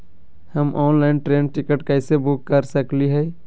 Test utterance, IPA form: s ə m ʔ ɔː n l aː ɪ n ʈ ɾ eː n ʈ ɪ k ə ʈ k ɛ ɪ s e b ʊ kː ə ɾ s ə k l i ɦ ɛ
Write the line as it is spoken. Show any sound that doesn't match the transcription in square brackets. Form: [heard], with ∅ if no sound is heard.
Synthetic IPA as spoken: [h] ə m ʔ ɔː n l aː ɪ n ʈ ɾ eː n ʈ ɪ k ə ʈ k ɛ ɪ s e b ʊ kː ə ɾ s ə k l i ɦ ɛ